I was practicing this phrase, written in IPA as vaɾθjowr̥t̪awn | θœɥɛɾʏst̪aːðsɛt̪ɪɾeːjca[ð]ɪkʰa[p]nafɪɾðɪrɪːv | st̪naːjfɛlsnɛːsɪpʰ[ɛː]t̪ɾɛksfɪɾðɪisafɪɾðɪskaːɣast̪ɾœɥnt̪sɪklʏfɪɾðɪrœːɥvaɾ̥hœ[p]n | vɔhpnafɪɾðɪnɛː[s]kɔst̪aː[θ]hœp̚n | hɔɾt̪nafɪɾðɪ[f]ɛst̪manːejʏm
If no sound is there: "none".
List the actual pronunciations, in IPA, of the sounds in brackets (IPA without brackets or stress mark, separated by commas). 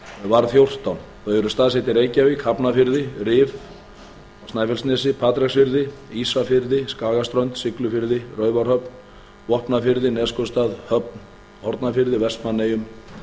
v, p, aː, p, s, ð, v